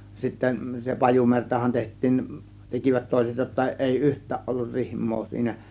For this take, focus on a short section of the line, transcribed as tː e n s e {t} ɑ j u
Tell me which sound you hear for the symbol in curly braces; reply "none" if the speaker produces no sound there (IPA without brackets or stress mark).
p